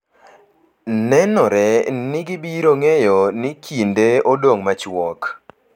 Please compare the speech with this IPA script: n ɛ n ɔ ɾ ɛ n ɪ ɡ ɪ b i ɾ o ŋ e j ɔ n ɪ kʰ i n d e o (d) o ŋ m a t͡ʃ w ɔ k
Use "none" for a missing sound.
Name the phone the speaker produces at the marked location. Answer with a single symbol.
d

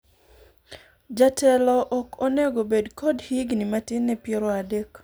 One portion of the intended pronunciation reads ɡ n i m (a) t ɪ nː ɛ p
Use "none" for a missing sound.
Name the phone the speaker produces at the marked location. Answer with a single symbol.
a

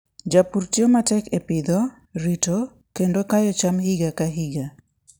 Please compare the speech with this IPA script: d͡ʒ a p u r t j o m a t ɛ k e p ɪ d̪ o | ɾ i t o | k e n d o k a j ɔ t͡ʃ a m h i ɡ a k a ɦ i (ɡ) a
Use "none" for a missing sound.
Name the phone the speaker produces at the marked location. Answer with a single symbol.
ɡ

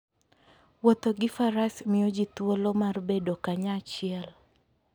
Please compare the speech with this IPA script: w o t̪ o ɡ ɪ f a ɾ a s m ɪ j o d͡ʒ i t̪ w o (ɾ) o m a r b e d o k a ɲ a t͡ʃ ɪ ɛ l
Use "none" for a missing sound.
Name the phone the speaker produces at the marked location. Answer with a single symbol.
l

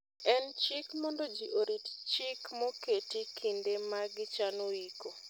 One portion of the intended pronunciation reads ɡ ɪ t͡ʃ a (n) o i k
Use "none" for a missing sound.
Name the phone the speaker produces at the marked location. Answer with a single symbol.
n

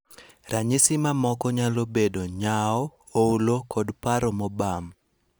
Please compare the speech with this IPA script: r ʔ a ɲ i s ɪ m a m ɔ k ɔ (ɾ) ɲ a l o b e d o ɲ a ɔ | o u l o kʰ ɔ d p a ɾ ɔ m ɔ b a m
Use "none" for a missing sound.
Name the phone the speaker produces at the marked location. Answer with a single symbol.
none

